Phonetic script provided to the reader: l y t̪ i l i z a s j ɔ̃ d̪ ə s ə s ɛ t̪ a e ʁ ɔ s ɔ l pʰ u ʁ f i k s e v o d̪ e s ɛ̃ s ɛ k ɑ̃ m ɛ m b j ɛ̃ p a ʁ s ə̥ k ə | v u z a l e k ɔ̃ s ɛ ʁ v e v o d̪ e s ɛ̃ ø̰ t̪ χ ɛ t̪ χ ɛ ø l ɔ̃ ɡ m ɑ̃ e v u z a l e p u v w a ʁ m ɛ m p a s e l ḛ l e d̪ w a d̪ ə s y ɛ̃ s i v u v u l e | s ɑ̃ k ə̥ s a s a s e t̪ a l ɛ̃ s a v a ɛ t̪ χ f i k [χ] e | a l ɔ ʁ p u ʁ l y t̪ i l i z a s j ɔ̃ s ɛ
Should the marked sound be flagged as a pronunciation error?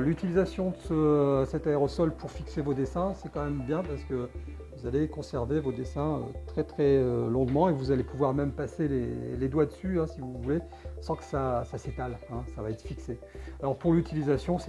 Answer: yes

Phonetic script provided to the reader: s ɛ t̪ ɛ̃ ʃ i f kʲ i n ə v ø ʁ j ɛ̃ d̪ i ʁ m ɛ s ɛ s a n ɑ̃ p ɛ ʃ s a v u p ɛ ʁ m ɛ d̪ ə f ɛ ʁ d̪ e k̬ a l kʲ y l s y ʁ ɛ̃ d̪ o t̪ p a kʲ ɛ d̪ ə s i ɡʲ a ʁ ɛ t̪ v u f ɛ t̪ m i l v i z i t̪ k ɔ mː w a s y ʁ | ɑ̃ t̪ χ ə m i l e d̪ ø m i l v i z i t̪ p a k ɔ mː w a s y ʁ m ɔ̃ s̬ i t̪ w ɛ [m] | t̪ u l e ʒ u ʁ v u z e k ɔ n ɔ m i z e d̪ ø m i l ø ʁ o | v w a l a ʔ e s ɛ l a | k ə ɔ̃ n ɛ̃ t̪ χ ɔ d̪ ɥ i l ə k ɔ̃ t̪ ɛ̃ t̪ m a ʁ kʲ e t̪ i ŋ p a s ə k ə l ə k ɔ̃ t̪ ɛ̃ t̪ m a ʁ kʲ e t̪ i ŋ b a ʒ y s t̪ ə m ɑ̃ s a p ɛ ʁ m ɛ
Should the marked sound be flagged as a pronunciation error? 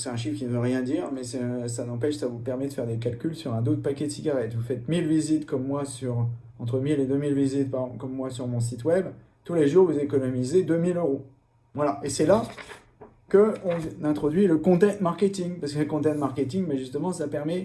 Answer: yes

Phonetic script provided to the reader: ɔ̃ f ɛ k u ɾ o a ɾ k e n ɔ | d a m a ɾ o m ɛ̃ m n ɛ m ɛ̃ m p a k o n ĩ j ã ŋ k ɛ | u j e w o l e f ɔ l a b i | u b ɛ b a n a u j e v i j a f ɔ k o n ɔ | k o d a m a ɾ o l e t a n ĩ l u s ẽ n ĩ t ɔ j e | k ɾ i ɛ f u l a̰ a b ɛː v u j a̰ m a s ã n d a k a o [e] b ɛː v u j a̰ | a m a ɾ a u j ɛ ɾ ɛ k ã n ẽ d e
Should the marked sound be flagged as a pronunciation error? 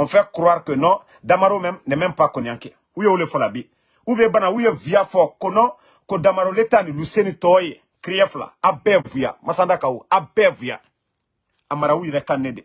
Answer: yes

